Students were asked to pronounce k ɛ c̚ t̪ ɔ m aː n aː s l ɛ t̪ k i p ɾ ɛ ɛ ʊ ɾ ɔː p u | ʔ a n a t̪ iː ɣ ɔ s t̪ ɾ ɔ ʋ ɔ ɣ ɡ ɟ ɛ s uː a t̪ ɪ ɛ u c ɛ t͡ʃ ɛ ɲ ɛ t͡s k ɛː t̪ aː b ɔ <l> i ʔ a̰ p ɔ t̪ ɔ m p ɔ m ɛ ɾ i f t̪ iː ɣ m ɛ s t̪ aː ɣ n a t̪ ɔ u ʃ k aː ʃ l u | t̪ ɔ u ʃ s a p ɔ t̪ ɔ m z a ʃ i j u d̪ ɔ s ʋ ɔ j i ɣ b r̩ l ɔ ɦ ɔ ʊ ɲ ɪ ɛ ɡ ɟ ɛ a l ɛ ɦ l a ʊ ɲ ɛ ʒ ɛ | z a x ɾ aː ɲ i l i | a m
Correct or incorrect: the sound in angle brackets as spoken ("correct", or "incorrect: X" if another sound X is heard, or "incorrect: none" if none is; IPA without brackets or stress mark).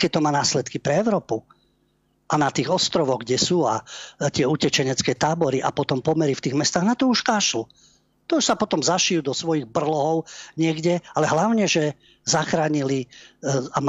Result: incorrect: ɾ